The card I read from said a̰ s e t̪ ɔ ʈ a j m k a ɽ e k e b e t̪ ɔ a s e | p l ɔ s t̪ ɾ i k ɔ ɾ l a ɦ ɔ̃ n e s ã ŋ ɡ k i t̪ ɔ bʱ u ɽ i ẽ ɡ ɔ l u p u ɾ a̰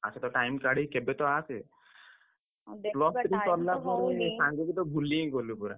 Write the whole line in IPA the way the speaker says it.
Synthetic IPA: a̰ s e t̪ ɔ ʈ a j m k a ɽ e k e b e t̪ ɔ a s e | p l ɔ s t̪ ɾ i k ɔ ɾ l a ɦ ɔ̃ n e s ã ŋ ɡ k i t̪ ɔ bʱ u l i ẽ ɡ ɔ l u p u ɾ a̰